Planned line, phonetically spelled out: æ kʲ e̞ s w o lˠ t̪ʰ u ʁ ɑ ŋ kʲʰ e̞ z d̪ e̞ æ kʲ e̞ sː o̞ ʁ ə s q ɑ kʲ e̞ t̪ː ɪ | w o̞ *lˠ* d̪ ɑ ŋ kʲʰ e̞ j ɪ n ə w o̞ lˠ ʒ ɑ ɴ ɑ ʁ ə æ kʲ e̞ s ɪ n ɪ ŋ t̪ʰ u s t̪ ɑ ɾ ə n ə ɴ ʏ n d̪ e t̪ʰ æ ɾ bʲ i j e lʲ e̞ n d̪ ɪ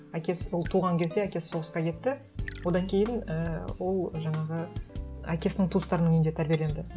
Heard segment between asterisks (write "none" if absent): none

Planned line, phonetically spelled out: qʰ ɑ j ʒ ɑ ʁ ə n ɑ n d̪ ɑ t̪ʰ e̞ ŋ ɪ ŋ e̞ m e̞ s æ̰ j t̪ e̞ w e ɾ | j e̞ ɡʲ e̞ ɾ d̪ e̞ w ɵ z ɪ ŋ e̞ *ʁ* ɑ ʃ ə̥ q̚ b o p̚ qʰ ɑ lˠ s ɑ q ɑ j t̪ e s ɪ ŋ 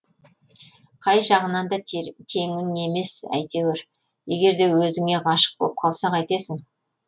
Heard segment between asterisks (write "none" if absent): ʁ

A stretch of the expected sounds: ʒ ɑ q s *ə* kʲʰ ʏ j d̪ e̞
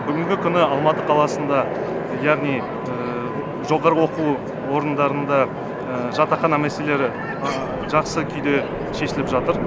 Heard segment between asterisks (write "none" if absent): ə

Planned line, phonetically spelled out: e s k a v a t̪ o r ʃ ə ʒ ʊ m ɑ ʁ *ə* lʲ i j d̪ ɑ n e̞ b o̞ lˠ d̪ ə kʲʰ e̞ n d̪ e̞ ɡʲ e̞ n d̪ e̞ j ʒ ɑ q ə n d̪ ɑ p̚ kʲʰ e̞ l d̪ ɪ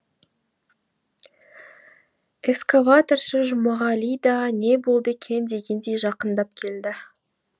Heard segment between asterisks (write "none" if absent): ɑ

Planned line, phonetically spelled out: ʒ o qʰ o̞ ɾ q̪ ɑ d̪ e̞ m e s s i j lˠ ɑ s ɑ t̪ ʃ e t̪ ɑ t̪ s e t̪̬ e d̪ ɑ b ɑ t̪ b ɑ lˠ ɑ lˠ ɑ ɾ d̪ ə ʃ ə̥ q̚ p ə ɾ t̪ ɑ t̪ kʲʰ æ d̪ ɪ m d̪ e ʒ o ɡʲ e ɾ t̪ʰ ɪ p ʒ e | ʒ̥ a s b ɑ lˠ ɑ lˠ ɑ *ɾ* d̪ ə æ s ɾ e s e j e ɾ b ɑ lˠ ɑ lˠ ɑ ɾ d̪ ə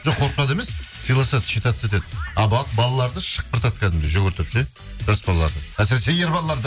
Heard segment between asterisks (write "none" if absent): ɾ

